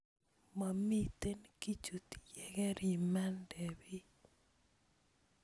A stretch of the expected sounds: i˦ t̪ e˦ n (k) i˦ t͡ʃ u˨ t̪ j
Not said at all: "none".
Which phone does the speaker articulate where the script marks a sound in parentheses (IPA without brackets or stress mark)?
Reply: k